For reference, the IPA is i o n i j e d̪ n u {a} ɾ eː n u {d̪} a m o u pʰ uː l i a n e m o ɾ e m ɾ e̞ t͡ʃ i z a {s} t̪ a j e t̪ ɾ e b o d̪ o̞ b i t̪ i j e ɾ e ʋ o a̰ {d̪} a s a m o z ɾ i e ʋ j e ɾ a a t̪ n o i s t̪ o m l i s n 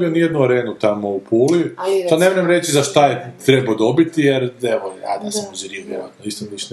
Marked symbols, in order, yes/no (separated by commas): yes, no, no, yes